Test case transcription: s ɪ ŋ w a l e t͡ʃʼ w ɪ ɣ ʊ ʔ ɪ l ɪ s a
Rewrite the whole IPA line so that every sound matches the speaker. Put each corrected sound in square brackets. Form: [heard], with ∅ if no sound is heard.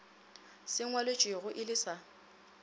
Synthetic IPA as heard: s ɪ ŋ w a l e t͡ʃʼ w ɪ ɣ ʊ ʔ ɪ l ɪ s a